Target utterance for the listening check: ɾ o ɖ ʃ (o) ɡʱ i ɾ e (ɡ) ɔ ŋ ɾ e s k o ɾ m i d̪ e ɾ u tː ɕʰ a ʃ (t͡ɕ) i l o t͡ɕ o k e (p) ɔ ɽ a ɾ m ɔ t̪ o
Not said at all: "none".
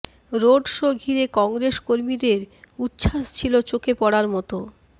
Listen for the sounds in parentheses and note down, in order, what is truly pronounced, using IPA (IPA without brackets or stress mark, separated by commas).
o, k, t͡ɕʰ, p